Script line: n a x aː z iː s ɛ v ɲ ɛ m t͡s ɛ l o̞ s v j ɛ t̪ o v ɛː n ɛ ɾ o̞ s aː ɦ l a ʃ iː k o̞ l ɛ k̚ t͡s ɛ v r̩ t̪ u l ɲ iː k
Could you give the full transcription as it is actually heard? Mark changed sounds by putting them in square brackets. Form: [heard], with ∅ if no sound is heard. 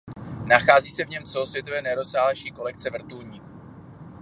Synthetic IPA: n a x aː z iː s ɛ v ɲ ɛ m t͡s ɛ l o̞ s v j ɛ t̪ o v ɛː n ɛ ɾ o̞ s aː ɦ l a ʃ iː k o̞ l ɛ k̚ t͡s ɛ v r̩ t̪ u l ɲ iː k